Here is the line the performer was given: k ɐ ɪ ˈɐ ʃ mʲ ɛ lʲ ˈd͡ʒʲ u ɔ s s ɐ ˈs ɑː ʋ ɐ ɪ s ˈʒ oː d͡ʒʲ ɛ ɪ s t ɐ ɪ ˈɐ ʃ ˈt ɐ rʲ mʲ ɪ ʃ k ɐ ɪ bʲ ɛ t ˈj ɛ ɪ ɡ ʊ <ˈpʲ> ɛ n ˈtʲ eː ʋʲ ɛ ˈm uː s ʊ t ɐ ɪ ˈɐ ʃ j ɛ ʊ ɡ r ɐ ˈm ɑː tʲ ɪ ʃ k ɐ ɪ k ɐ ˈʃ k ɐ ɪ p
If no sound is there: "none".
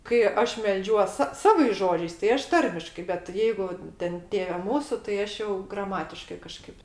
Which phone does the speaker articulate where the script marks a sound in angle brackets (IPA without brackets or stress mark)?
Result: tʲ